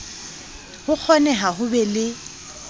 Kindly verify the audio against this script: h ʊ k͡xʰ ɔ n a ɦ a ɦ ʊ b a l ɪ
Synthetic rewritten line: h ʊ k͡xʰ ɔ n ɛ ɦ a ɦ ʊ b ɛ l ɪ